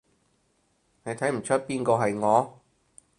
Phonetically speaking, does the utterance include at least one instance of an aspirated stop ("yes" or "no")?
yes